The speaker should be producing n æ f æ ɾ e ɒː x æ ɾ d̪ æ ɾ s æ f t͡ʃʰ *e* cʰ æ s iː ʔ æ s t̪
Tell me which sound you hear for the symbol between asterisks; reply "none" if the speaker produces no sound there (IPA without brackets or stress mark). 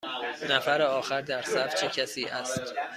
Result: e